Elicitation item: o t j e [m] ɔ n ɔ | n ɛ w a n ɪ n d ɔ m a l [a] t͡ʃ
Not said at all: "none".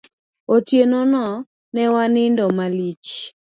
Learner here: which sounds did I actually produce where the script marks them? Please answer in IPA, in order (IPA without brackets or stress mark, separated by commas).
n, i